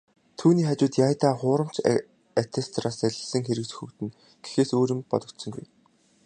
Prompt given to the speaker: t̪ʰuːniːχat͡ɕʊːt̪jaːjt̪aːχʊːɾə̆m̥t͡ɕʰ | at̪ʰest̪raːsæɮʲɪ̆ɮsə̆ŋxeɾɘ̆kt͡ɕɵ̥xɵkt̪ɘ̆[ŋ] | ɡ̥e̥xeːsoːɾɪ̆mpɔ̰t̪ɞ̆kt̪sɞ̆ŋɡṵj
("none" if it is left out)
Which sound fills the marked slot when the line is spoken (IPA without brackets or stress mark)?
n